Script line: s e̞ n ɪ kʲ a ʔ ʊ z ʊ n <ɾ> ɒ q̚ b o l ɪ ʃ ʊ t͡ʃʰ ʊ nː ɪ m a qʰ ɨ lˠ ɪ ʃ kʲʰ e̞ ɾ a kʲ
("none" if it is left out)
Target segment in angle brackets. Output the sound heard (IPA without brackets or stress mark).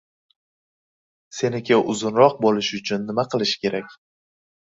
ɾ